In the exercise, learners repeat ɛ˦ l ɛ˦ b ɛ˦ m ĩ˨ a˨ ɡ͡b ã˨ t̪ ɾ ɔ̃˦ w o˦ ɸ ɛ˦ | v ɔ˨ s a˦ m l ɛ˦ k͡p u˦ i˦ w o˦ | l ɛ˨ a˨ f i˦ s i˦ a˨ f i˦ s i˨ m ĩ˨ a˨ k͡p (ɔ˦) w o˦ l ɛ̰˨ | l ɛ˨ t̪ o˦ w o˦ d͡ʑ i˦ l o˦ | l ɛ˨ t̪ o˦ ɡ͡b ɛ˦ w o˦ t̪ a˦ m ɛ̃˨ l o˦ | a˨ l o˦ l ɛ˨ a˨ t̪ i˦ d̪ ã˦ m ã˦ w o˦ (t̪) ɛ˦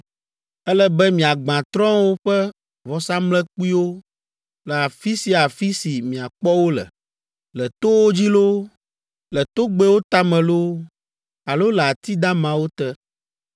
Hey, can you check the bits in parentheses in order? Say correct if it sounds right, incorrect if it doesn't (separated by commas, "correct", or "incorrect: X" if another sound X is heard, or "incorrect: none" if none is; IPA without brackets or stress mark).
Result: correct, correct